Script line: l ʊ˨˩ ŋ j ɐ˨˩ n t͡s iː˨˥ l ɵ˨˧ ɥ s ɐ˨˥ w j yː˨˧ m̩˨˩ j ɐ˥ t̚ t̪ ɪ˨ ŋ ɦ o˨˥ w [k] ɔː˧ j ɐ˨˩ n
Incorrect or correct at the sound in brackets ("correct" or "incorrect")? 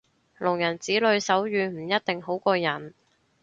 correct